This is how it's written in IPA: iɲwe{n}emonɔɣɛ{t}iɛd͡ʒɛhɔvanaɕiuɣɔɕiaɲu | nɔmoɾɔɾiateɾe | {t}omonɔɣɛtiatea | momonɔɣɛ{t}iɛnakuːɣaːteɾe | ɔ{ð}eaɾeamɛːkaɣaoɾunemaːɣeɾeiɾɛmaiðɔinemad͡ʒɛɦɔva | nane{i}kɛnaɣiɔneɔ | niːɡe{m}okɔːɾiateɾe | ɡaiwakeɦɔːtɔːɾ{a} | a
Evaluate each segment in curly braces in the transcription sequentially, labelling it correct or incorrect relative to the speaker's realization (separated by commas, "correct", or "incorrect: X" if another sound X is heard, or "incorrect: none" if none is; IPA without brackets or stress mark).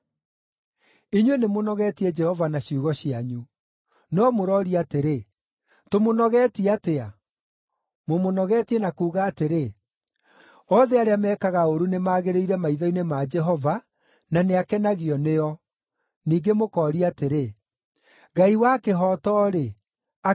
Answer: correct, correct, correct, correct, correct, incorrect: a, correct, incorrect: e